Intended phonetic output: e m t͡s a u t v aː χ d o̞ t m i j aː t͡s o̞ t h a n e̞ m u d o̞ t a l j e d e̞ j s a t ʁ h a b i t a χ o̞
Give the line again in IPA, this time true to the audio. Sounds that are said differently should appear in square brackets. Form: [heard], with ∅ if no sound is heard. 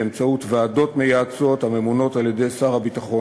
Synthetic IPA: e m t͡s a u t v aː [∅] d o̞ t m [e] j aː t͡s o̞ t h a [m] e̞ m u [n] o̞ t a l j e d e̞ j s a [∅] ʁ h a b i t a χ o̞